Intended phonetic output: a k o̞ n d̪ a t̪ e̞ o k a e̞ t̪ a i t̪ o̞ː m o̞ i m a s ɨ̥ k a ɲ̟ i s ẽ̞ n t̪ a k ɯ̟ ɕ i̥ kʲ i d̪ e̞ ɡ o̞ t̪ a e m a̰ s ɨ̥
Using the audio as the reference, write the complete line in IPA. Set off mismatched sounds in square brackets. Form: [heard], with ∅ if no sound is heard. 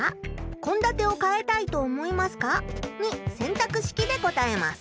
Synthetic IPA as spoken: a k [õ̞] n d̪ a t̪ e̞ o k a e̞ t̪ a i t̪ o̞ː m o̞ i m a s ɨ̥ k a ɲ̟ i s ẽ̞ n t̪ a k ɯ̟ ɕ i̥ kʲ i d̪ e̞ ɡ o̞ t̪ a e m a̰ s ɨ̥